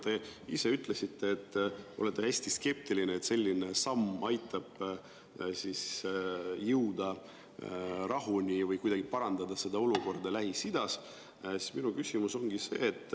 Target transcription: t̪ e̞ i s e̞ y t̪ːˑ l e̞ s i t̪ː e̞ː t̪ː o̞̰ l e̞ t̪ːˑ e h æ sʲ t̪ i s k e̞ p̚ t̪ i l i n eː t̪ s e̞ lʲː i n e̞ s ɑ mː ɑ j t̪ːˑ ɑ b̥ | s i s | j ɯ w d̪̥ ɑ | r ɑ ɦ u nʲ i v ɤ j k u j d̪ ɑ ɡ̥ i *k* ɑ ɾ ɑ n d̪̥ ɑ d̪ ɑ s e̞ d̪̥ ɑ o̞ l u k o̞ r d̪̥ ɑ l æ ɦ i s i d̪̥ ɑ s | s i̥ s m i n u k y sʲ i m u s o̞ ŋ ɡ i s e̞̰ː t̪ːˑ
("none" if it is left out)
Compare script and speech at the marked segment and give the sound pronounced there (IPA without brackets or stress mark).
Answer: p